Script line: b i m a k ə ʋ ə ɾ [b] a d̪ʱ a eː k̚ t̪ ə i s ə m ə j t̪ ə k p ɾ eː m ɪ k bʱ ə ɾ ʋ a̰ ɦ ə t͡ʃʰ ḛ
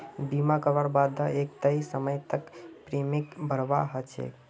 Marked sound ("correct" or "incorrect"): correct